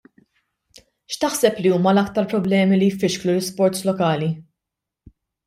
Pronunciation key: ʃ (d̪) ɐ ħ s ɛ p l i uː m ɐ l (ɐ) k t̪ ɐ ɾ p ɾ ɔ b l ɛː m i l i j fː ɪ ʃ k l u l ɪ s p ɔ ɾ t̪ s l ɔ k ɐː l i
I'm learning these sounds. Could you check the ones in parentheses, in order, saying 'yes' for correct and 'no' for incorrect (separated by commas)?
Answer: no, yes